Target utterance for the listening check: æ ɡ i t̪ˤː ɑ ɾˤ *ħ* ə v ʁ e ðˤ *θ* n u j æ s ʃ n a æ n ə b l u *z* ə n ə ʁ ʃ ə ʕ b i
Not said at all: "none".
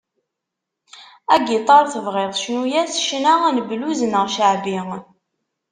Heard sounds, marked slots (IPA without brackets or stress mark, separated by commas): θ, ʃ, z